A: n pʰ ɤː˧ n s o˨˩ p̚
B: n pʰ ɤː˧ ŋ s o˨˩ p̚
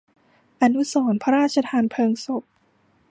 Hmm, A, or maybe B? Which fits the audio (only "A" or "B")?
B